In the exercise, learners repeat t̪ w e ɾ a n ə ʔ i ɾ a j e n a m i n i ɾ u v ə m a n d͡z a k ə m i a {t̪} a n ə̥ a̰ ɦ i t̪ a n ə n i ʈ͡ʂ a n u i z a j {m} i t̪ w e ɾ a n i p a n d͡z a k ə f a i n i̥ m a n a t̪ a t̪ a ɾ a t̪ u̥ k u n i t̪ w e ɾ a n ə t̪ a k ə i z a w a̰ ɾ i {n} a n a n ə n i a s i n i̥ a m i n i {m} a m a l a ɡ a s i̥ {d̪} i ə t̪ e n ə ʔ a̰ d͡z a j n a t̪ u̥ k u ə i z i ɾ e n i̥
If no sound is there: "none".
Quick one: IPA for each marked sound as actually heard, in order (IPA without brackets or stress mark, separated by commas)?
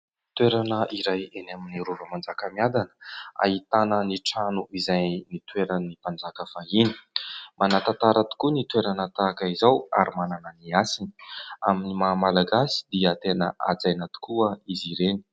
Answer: d̪, n, m, m, d̪